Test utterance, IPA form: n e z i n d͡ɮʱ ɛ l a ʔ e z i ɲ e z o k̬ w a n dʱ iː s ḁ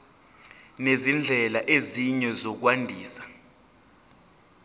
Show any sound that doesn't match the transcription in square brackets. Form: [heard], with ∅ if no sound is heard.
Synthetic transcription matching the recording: n e z i n d͡ɮʱ ɛ l a ʔ e z i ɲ [ɛ] z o k̬ w a n dʱ iː s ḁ